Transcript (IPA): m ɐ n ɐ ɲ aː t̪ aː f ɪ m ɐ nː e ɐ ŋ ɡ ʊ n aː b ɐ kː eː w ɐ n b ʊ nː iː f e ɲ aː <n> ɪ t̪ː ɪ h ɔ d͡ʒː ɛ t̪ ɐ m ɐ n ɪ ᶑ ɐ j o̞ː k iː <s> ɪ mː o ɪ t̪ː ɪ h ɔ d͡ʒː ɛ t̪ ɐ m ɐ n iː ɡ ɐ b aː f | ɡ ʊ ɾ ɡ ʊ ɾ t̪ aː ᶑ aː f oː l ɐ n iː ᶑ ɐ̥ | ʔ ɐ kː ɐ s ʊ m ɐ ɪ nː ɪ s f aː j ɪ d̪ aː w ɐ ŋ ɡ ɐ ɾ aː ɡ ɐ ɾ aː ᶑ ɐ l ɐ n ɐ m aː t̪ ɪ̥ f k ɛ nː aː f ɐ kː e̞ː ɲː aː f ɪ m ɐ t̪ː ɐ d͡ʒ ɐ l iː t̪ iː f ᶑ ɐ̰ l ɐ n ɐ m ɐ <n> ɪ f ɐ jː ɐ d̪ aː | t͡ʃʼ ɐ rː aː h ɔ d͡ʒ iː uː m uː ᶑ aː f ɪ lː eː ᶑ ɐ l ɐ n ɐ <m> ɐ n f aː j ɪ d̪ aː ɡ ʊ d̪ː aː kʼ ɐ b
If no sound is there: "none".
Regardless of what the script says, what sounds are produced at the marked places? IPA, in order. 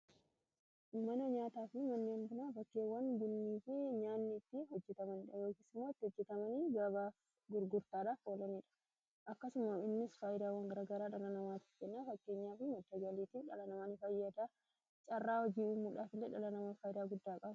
nː, s, n, m

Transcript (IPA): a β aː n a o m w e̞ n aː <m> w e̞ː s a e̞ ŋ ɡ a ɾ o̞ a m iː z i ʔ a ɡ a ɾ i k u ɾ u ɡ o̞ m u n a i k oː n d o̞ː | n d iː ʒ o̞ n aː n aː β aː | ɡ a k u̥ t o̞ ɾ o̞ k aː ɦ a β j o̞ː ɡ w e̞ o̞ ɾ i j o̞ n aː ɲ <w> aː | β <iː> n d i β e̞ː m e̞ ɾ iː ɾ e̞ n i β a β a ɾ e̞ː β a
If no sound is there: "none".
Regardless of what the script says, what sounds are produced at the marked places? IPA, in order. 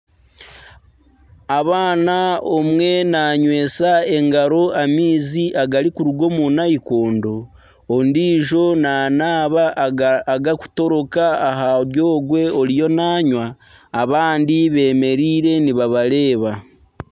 ɲ, w, aː

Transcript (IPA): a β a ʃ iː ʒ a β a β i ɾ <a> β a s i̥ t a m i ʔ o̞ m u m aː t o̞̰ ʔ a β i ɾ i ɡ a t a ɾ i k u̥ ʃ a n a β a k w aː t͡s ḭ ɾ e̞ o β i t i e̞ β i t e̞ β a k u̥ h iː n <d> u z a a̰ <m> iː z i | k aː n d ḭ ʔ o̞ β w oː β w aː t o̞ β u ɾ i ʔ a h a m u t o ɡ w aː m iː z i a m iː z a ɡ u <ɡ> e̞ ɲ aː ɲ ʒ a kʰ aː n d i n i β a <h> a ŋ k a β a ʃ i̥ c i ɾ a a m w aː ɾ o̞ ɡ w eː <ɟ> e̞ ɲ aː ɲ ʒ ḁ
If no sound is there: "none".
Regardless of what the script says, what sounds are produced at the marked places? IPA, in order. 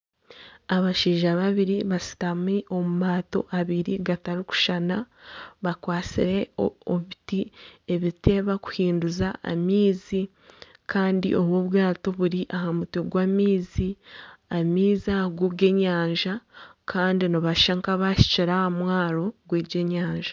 i, d, m, ɡ, ʃ, ɟ

